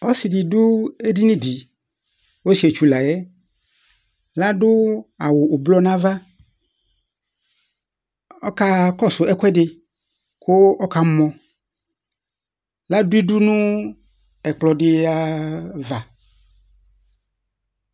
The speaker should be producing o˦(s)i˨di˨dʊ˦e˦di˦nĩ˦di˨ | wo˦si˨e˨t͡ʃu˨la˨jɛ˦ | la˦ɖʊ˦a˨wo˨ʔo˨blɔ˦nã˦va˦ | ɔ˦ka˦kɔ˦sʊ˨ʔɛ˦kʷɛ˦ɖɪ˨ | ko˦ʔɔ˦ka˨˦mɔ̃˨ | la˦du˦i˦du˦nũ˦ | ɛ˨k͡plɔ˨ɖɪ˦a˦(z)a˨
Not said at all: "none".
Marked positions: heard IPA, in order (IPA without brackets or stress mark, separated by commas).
s, v